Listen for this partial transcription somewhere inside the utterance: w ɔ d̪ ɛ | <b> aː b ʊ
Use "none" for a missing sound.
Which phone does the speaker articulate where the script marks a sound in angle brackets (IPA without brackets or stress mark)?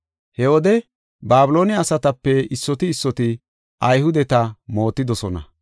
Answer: b